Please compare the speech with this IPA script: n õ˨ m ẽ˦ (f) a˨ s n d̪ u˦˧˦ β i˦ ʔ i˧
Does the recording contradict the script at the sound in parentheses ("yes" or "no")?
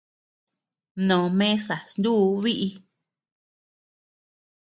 yes